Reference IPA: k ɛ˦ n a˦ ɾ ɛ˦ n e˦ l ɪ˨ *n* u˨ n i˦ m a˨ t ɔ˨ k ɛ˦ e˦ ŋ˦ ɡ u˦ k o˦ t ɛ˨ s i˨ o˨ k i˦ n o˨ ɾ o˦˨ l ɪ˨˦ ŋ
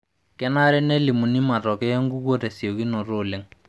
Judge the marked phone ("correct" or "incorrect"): incorrect